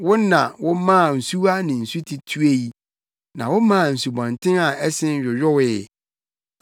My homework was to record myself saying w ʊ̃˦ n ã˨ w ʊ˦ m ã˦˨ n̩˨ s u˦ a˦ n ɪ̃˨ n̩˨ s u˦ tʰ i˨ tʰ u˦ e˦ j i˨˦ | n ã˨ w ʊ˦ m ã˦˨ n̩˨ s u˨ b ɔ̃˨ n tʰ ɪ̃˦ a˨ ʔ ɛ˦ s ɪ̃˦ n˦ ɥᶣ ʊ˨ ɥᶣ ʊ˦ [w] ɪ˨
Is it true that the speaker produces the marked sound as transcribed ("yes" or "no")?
yes